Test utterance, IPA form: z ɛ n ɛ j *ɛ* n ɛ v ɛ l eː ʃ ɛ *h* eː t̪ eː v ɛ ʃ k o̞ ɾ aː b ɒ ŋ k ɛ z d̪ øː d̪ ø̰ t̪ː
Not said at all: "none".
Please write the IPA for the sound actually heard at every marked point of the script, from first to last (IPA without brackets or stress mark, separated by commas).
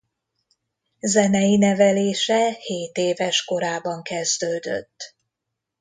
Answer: i, h